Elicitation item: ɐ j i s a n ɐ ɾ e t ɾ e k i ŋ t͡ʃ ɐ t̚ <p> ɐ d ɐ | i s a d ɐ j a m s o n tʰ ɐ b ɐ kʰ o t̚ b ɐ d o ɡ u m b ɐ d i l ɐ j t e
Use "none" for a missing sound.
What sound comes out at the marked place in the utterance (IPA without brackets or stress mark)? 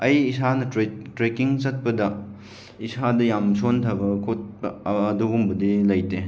p